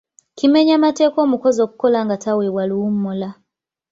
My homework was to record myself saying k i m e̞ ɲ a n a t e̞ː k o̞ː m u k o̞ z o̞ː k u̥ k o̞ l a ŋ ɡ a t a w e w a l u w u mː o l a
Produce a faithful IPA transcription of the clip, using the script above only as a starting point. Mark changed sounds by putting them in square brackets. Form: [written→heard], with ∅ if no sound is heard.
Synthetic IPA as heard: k i m e̞ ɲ a [n→m] a t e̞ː k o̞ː m u k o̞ z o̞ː k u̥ k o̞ l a ŋ ɡ a t a w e w a l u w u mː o l a